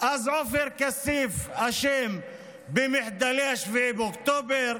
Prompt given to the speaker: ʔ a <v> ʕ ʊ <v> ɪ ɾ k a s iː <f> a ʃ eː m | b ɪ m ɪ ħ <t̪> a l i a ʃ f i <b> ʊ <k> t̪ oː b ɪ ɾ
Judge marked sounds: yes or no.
no, no, yes, no, yes, yes

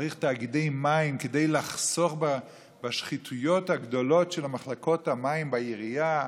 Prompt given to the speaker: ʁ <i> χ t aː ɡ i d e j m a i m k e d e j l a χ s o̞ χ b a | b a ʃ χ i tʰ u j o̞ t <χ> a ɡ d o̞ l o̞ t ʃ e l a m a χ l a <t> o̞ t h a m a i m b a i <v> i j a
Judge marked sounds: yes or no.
yes, no, no, no

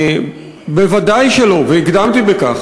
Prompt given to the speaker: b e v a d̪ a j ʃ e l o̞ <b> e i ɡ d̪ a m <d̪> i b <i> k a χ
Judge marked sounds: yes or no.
no, no, no

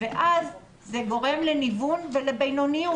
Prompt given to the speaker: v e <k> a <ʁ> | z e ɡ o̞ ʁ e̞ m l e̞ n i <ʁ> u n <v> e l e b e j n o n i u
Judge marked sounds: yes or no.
no, no, no, yes

